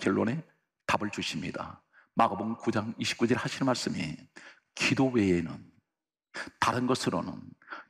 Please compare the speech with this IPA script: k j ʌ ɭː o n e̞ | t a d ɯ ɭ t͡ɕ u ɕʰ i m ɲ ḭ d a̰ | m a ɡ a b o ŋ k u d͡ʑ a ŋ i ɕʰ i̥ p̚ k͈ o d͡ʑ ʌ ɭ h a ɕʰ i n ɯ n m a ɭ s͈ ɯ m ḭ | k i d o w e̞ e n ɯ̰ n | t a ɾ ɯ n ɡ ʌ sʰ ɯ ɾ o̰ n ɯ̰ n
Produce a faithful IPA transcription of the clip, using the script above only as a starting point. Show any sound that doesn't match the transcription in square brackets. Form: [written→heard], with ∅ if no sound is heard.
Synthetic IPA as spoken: k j ʌ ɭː o n e̞ | t a [d→b] ɯ ɭ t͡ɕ u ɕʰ i m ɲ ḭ d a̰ | m a ɡ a b o ŋ k u d͡ʑ a ŋ i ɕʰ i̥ p̚ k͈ [o→u] d͡ʑ ʌ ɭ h a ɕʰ i n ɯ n m a ɭ s͈ ɯ m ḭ | k i d o w e̞ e n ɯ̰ n | t a ɾ ɯ n ɡ ʌ sʰ ɯ ɾ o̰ n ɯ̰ n